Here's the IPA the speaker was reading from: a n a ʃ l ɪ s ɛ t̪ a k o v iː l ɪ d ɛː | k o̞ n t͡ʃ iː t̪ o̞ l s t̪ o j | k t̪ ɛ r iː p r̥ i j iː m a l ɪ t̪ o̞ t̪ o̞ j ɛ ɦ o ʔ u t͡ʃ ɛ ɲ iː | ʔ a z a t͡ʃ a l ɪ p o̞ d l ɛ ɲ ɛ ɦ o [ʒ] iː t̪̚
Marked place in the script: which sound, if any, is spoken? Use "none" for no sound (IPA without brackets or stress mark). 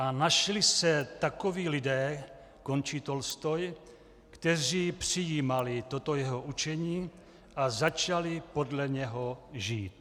ʒ